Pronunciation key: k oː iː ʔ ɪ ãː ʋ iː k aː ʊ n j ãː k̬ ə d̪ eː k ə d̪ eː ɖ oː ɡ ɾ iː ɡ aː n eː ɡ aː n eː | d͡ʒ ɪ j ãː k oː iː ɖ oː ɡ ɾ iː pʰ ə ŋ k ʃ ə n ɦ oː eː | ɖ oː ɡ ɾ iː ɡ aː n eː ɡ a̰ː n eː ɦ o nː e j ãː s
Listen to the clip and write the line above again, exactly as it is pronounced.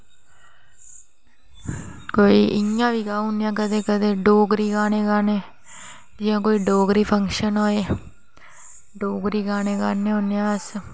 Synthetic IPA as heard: k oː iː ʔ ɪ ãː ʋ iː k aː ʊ n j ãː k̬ ə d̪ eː k ə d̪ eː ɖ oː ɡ ɾ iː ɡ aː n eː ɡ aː n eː | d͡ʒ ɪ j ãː k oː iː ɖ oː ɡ ɾ iː pʰ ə ŋ k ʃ ə n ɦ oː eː | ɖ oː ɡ ɾ iː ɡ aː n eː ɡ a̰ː n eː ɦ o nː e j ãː s